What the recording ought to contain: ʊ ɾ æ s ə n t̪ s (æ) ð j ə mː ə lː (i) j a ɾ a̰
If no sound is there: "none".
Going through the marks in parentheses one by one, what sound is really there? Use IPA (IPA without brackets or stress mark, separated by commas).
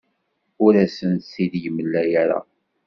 i, æ